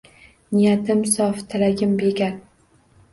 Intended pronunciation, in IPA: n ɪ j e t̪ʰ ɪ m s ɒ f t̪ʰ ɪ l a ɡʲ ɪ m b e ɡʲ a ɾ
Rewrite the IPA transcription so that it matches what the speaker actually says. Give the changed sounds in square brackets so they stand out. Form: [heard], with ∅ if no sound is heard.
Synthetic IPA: n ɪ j [a] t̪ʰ ɪ m s ɒ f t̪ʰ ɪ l a ɡʲ ɪ m b e ɡʲ a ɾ